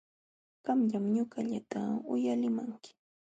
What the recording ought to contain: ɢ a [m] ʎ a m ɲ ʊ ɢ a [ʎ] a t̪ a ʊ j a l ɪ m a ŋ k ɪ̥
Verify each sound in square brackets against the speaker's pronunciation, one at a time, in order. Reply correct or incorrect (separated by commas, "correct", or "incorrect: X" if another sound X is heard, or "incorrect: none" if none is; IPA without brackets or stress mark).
correct, correct